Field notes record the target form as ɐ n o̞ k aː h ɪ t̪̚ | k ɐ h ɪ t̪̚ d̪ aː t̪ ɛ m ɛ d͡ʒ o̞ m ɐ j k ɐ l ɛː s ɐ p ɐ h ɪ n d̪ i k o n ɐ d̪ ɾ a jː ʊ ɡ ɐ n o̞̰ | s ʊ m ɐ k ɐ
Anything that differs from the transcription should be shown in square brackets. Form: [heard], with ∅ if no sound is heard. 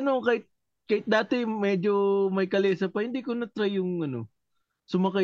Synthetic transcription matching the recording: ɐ n o̞ k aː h ɪ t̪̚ | k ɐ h ɪ t̪̚ d̪ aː t̪ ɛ m ɛ d͡ʒ o̞ m ɐ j k ɐ l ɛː s ɐ p ɐ h ɪ n d̪ i k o n ɐ [t̪] ɾ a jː ʊ [ŋ] ɐ n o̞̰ | s ʊ m ɐ k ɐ